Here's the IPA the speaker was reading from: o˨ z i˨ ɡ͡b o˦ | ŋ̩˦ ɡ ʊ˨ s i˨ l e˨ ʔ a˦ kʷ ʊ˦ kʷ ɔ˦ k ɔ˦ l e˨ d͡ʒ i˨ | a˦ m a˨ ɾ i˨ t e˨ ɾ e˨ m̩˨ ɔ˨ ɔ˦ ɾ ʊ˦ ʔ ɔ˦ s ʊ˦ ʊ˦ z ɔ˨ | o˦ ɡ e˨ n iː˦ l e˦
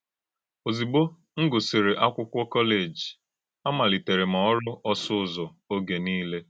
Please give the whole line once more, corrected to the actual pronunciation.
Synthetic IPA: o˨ z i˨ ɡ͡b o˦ | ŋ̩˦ ɡ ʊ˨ s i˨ ɾ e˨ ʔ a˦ kʷ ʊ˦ kʷ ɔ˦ k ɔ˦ l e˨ d͡ʒ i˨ | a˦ m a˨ l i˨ t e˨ ɾ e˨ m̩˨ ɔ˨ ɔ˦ ɾ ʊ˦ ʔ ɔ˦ s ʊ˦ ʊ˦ z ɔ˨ | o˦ ɡ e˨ n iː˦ l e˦